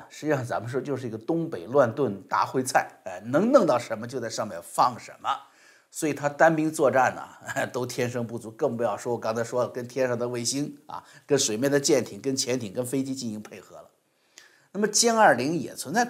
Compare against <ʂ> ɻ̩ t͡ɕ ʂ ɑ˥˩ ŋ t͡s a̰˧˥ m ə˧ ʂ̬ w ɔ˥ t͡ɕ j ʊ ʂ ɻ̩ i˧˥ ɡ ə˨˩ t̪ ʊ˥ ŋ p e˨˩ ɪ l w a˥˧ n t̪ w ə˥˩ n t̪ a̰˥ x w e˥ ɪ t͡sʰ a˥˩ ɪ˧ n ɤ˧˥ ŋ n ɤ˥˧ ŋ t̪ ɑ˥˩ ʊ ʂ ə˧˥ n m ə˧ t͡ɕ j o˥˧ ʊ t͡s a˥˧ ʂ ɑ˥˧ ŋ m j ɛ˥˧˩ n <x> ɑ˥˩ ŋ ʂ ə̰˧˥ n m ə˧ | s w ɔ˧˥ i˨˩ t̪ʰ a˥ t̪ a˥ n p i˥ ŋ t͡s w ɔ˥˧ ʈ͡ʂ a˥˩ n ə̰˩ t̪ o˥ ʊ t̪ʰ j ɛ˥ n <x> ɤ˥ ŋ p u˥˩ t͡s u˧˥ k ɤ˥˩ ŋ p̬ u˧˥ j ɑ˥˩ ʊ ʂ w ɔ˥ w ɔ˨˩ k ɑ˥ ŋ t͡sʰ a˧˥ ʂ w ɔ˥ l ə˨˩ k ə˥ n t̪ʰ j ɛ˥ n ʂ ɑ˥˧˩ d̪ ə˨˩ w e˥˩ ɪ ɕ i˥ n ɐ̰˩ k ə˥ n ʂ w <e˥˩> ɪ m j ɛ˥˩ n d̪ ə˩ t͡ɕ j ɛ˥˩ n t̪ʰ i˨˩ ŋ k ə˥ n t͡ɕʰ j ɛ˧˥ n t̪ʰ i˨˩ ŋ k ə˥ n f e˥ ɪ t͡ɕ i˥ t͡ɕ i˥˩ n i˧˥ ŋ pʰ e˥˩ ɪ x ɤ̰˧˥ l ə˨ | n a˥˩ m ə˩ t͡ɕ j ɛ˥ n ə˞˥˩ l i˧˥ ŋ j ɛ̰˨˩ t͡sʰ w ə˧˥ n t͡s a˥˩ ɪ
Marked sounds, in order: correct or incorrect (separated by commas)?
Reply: correct, incorrect, incorrect, incorrect